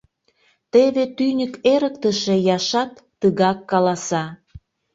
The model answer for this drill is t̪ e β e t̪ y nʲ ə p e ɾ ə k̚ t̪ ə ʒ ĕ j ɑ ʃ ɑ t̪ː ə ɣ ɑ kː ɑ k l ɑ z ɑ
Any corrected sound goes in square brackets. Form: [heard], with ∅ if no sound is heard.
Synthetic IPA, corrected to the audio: t̪ e β e t̪ y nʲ ə [k] e ɾ ə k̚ t̪ ə [ʃ] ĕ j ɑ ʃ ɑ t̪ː ə ɣ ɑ kː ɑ [∅] l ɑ [s] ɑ

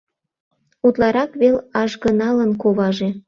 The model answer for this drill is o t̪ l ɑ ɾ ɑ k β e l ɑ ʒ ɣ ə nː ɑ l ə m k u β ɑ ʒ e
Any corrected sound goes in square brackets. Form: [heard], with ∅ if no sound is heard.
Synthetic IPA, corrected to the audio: [u] t̪ l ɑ ɾ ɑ k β e l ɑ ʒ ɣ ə [n] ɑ l ə [n] k [o] β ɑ ʒ e

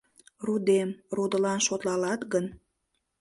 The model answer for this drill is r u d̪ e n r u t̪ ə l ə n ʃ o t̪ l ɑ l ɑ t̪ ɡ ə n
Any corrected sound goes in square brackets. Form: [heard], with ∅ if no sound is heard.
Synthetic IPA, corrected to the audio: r u d̪ e [m] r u [d̪] ə l [ɑ] n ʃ o t̪ l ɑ l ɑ t̪ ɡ ə n

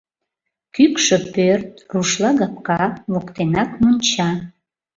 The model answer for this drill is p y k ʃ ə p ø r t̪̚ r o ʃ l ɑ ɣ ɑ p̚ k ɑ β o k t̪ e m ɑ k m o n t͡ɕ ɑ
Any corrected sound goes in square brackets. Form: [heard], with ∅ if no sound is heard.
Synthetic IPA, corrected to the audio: [k] y k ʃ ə p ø r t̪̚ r [u] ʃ l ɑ ɣ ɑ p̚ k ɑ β o k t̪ e [n] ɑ k m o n t͡ɕ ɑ

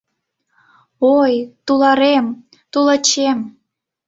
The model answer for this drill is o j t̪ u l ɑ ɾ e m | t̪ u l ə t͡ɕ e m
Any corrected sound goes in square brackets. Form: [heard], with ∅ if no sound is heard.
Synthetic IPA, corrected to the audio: o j t̪ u l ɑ ɾ e m | t̪ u l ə t͡ɕ e m

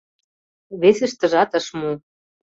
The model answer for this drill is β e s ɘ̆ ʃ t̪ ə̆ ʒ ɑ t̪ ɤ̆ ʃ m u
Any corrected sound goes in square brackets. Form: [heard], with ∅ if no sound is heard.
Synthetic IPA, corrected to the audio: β e s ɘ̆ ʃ t̪ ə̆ ʒ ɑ t̪ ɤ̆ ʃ m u

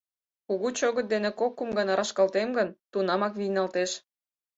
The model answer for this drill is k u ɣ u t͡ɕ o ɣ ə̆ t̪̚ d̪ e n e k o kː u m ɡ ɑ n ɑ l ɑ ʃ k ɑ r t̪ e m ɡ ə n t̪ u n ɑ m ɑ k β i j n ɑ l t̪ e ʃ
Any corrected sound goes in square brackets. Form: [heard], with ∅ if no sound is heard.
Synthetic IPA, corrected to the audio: k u ɣ u t͡ɕ o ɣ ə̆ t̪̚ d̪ e n e k o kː u m ɡ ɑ n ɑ [ɾ] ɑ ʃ k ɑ [l] t̪ e m ɡ ə n t̪ u n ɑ m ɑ k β i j n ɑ l t̪ e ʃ

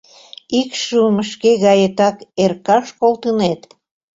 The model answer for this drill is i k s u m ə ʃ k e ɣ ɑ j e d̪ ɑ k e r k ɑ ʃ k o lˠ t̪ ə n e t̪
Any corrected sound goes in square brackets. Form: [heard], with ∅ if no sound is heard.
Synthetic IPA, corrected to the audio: i k [ʃ] u m ə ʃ k e ɣ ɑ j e [t̪] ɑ k e r k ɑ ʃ k o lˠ t̪ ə n e t̪

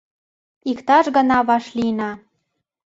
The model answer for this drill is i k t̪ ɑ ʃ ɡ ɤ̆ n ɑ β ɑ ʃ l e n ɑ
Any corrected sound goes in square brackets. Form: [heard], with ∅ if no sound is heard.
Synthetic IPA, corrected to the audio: i k t̪ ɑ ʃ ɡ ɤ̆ n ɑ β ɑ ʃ l [i] n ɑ

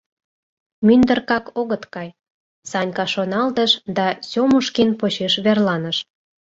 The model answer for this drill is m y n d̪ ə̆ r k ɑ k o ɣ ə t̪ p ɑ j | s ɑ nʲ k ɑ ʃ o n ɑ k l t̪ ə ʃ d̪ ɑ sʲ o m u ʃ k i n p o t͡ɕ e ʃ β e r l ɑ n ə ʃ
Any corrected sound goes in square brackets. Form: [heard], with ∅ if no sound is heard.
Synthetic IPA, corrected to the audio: m y n d̪ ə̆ r k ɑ k o ɣ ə t̪ [k] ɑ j | s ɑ nʲ k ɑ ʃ o n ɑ [∅] l t̪ ə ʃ d̪ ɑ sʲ o m u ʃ k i n p o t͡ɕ e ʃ β e r l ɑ n ə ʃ

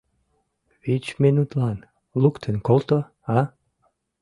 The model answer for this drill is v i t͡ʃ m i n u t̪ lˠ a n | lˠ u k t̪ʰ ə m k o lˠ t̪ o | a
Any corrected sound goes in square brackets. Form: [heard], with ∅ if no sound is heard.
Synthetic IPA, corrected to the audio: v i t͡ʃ m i n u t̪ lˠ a n | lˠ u k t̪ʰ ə [n] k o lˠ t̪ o | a

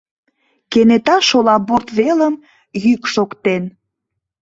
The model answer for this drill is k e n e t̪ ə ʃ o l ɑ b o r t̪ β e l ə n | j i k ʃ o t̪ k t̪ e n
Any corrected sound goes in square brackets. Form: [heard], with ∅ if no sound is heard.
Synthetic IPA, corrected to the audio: k e n e t̪ [ɑ] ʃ o l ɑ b o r t̪ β e l ə [m] | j [y] k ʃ o [∅] k t̪ e n

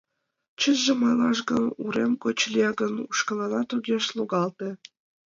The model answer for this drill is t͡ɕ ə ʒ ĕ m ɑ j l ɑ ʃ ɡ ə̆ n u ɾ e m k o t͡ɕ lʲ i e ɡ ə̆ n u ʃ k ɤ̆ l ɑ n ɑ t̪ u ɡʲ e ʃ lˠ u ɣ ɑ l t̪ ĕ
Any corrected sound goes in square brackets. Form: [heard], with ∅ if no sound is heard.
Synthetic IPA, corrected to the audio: t͡ɕ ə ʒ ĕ m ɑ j l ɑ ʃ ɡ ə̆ n u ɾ e m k o t͡ɕ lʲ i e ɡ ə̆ n u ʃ k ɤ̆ l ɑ n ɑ t̪ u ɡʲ e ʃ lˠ u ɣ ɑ l t̪ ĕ

